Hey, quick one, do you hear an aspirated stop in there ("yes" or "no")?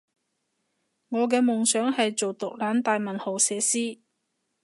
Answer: no